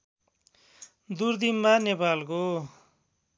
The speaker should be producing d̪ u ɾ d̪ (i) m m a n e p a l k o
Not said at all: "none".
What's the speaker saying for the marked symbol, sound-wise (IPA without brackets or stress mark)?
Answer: i